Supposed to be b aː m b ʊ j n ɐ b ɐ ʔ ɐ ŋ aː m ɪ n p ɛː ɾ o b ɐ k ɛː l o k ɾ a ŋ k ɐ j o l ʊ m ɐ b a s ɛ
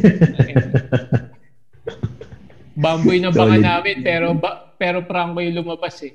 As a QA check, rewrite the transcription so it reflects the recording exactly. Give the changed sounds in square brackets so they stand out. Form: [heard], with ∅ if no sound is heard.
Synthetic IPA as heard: b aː m b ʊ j n ɐ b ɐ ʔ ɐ [n] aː m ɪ n p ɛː ɾ o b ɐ [p] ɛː [ɾ] o [p] ɾ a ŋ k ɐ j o l ʊ m ɐ b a s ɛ